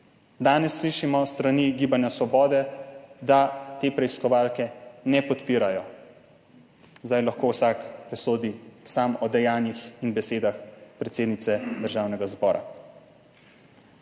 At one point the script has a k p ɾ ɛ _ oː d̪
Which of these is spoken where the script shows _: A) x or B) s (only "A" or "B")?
B